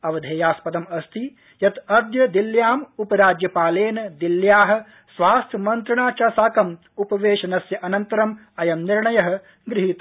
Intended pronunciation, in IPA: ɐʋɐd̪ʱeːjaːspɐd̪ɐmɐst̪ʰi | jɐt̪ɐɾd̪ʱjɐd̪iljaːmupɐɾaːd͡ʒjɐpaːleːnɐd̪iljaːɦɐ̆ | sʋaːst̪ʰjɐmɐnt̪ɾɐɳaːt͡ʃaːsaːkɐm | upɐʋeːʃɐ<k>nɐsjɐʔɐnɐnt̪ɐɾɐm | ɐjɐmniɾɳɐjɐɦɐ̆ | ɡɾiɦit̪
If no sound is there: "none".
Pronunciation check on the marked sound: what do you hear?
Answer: none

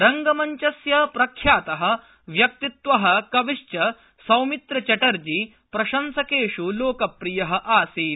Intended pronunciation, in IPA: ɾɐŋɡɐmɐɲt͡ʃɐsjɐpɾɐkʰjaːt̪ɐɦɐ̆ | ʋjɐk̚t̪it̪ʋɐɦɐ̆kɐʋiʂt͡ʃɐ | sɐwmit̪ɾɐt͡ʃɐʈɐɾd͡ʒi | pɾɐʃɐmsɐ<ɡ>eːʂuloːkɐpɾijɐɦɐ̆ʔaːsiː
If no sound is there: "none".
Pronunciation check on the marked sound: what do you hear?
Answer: k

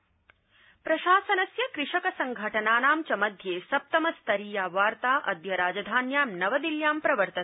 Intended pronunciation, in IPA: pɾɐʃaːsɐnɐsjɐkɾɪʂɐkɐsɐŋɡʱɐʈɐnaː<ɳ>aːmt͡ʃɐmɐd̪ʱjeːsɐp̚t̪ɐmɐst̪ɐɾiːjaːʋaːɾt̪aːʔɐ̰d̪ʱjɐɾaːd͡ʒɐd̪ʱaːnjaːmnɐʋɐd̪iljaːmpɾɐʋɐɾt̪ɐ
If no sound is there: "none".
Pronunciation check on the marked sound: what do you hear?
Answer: n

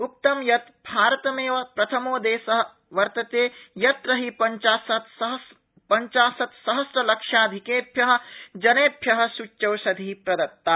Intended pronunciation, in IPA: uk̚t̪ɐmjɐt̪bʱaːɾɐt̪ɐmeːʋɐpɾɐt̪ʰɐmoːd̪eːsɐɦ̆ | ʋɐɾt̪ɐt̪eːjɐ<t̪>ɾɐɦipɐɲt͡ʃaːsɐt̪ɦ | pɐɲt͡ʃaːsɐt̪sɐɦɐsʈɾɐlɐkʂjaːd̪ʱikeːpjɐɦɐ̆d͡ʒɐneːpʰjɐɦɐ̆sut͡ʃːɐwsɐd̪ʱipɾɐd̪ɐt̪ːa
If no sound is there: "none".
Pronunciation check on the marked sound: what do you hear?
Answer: t̪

